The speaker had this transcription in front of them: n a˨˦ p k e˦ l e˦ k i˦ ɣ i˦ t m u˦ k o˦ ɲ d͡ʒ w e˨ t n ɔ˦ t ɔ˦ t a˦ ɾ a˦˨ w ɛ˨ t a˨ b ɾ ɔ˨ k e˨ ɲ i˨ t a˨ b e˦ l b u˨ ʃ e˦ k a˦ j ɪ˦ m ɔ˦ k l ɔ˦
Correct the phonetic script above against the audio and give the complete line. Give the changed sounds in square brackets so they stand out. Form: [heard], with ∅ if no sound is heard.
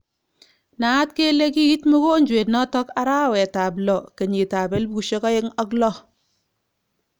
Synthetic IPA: n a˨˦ [t] k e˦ l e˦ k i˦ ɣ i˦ t m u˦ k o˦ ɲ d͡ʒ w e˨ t n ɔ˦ t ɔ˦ [k] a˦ ɾ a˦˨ w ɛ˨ t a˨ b [l] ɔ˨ k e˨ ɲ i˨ t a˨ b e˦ l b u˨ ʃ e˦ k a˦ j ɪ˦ [ŋ] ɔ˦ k l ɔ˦